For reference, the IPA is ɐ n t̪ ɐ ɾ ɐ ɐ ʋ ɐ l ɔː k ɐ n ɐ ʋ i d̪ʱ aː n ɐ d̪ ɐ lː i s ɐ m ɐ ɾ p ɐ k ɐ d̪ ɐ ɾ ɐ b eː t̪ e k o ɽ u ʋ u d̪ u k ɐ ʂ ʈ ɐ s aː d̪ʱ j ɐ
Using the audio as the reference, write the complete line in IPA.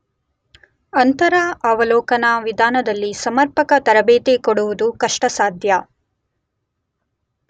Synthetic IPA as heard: ɐ n t̪ ɐ ɾ ɐ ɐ ʋ ɐ l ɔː k ɐ n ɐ ʋ i d̪ʱ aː n ɐ d̪ ɐ lː i s ɐ m ɐ ɾ p ɐ k ɐ t̪ ɐ ɾ ɐ b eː t̪ e k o ɽ u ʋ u d̪ u k ɐ ʂ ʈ ɐ s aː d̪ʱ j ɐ

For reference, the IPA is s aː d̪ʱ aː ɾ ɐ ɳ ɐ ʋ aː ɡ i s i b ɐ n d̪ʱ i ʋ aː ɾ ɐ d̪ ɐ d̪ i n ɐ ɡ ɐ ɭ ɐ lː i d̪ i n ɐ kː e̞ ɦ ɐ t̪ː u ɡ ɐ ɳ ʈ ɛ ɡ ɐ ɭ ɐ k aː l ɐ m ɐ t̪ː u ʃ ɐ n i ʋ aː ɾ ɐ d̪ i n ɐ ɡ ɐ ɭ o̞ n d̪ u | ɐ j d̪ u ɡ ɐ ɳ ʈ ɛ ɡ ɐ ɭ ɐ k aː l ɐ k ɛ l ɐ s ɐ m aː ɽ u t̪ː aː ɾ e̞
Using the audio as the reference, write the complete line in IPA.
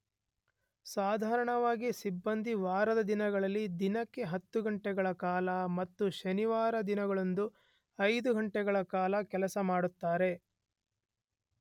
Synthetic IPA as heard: s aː d̪ʱ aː ɾ ɐ ɳ ɐ ʋ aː ɡ i s i bː ɐ n d̪ʱ i ʋ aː ɾ ɐ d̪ ɐ d̪ i n ɐ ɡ ɐ ɭ ɐ lː i d̪ i n ɐ kː e̞ ɦ ɐ t̪ː u ɡ ɐ ɳ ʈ ɛ ɡ ɐ ɭ ɐ k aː l ɐ m ɐ t̪ː u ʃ ɐ n i ʋ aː ɾ ɐ d̪ i n ɐ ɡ ɐ ɭ o̞ n d̪ u | ɐ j d̪ u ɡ ɐ ɳ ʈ ɛ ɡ ɐ ɭ ɐ k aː l ɐ k ɛ l ɐ s ɐ m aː ɽ u t̪ː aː ɾ e̞

